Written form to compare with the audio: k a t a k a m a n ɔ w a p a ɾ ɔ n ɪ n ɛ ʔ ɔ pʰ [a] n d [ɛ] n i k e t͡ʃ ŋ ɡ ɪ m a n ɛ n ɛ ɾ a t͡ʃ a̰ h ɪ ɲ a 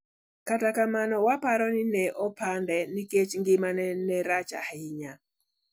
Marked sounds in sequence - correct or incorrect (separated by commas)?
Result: correct, correct